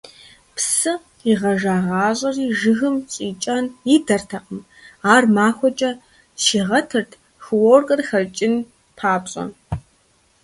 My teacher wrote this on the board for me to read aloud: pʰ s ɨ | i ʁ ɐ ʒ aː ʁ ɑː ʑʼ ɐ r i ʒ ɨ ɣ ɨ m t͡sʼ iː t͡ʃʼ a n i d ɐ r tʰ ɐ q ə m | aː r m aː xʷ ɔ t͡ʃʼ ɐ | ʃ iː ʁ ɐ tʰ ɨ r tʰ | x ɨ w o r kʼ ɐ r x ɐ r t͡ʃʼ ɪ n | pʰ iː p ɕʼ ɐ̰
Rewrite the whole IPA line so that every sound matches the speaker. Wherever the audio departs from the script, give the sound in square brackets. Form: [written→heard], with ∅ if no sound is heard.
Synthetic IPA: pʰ s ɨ | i ʁ ɐ ʒ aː ʁ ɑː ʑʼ ɐ r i ʒ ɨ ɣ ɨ m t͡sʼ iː t͡ʃʼ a n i d ɐ r tʰ ɐ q ə m | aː r m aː xʷ ɔ t͡ʃʼ ɐ | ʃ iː ʁ ɐ tʰ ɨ r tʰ | x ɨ w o r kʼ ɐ r x ɐ r t͡ʃʼ ɪ n | pʰ [iː→aː] p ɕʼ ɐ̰

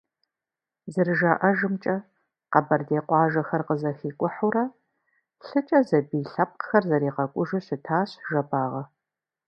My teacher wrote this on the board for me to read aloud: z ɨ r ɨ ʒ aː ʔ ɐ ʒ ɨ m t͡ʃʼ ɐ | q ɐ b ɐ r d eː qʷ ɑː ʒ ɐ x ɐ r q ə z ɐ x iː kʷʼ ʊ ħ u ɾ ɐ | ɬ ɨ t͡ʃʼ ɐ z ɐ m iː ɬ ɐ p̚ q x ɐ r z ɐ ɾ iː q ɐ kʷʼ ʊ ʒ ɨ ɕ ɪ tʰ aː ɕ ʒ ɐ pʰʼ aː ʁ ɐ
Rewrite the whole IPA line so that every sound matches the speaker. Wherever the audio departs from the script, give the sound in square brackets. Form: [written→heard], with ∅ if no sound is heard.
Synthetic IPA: z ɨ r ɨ ʒ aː ʔ ɐ ʒ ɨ m t͡ʃʼ ɐ | q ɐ b ɐ r d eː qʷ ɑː ʒ ɐ x ɐ r q ə z ɐ x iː kʷʼ ʊ ħ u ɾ ɐ | ɬ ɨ t͡ʃʼ ɐ z ɐ [m→b] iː ɬ ɐ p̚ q x ɐ r z ɐ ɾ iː q ɐ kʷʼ ʊ ʒ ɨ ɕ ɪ tʰ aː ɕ ʒ ɐ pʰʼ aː ʁ ɐ

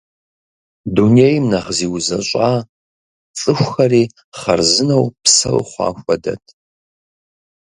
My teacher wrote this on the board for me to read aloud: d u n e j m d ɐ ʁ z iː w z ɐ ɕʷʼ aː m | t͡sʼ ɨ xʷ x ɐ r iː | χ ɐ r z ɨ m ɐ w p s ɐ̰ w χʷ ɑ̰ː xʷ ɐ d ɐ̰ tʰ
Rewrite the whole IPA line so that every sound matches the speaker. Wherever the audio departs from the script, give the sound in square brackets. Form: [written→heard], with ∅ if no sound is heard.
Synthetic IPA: d u n e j m [d→n] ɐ ʁ z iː w z ɐ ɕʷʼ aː [m→∅] | t͡sʼ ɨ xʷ x ɐ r iː | χ ɐ r z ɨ [m→n] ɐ w p s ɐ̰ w χʷ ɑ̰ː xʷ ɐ d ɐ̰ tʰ

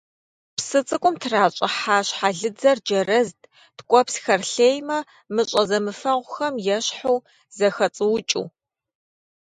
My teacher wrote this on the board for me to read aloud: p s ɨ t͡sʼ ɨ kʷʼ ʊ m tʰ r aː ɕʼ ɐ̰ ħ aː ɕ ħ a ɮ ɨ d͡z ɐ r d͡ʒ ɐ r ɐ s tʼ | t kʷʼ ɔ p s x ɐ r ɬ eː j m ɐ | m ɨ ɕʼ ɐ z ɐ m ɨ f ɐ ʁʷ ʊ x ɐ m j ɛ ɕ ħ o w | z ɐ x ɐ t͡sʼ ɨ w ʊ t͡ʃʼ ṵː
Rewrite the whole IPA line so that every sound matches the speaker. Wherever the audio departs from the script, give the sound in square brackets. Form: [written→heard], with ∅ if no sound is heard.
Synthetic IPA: p s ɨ t͡sʼ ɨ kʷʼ ʊ m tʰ r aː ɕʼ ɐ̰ ħ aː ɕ ħ a ɮ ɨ d͡z ɐ r d͡ʒ ɐ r ɐ [s→z] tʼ | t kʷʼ ɔ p s x ɐ r ɬ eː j m ɐ | m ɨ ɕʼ ɐ z ɐ m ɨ f ɐ ʁʷ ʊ x ɐ m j ɛ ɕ ħ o w | z ɐ x ɐ t͡sʼ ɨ w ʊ t͡ʃʼ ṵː

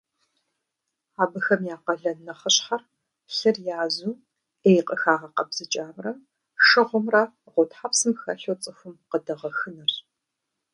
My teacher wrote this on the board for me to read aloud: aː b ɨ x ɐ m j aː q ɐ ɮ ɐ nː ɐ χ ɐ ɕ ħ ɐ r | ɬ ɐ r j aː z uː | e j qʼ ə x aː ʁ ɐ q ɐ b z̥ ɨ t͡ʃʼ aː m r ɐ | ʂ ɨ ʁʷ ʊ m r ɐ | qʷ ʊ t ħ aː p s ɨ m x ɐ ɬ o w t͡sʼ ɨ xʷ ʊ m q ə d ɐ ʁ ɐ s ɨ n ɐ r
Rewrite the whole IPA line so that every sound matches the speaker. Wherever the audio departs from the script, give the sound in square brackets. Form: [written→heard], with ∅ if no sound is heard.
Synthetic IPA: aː b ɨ x ɐ m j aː q ɐ ɮ ɐ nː ɐ χ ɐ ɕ ħ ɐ r | ɬ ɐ r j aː z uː | e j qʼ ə x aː ʁ ɐ q ɐ b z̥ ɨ t͡ʃʼ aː m r ɐ | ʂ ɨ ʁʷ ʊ m r ɐ | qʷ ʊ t ħ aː p s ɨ m x ɐ ɬ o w t͡sʼ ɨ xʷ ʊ m q ə d ɐ ʁ ɐ [s→x] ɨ n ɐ r

